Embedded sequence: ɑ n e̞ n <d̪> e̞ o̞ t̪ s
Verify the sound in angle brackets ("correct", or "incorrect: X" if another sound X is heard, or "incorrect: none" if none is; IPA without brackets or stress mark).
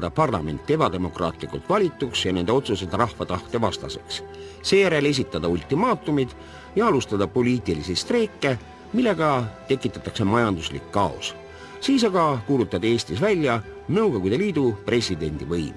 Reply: correct